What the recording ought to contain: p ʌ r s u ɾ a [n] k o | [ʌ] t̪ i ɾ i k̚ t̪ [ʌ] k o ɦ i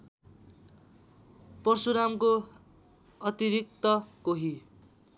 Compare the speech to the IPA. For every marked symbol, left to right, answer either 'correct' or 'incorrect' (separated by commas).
incorrect, correct, correct